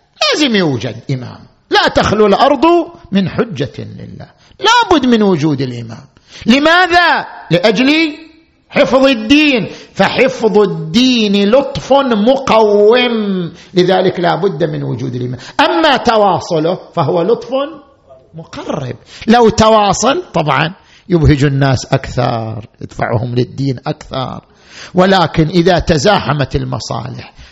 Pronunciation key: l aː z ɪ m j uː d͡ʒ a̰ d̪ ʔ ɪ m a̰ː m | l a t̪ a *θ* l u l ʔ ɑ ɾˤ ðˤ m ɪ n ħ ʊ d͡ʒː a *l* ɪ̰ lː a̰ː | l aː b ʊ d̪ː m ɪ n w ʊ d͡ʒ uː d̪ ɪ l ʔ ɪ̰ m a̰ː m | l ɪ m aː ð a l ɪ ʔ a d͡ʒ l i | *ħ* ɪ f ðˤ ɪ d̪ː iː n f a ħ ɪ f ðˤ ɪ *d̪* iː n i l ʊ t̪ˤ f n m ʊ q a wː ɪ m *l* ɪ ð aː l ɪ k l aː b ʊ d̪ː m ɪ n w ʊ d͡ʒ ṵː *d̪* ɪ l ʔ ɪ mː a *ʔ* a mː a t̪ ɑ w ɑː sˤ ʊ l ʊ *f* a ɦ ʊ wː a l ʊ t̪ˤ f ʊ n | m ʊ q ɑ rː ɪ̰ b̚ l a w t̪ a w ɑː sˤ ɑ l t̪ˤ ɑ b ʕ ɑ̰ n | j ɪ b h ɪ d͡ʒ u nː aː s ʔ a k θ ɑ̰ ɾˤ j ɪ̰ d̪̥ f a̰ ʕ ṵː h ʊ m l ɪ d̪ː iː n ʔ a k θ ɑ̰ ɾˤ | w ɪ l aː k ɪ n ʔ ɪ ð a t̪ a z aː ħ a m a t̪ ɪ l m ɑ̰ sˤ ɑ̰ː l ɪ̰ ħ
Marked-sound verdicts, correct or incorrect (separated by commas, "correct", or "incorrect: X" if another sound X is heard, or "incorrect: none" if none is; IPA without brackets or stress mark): incorrect: x, correct, correct, incorrect: d̪ː, correct, correct, correct, correct